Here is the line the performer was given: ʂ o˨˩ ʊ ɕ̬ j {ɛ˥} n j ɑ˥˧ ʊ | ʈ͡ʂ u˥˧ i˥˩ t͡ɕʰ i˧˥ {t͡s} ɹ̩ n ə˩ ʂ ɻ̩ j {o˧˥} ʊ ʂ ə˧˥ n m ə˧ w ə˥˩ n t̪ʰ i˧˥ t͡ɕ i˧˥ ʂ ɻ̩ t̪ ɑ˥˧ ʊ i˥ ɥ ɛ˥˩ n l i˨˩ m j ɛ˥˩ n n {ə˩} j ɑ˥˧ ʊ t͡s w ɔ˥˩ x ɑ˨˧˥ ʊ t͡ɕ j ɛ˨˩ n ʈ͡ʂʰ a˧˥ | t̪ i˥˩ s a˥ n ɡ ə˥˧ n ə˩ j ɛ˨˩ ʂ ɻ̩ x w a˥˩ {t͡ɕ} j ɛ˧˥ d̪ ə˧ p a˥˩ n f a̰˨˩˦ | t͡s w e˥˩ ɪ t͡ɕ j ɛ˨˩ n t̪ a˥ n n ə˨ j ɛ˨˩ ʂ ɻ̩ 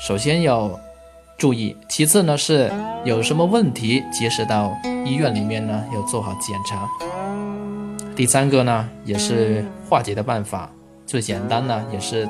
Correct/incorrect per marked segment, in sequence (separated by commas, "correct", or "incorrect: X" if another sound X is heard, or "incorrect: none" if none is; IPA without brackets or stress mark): correct, incorrect: t͡sʰ, incorrect: o˨˩, correct, correct